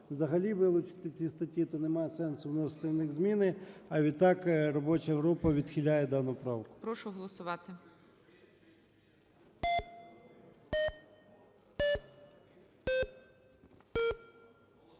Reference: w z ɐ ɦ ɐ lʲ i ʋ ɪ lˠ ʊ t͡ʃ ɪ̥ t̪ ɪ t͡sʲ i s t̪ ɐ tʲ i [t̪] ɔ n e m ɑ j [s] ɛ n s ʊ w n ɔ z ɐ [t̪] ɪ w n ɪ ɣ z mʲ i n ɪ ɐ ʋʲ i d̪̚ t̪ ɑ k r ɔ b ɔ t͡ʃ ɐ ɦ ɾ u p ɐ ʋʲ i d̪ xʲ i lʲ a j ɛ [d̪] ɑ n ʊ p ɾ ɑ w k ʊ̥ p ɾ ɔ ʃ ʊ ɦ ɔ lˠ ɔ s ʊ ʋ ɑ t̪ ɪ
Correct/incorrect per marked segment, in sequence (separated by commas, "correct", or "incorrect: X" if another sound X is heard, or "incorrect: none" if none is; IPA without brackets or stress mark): correct, correct, correct, correct